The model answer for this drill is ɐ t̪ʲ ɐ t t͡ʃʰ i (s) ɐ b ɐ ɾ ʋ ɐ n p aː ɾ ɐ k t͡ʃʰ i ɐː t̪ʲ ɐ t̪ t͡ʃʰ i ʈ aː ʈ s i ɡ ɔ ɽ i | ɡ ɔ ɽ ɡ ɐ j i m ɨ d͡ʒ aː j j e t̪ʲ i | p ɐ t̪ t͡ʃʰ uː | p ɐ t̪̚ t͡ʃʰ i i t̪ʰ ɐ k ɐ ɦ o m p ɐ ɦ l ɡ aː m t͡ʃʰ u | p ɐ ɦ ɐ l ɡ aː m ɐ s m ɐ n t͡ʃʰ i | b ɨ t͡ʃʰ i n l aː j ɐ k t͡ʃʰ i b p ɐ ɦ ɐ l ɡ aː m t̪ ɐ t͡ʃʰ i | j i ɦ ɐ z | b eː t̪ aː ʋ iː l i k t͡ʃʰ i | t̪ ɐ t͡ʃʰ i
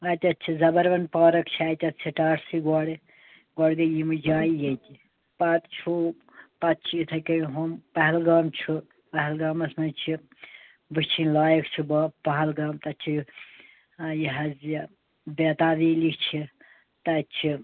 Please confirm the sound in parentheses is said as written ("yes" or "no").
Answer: no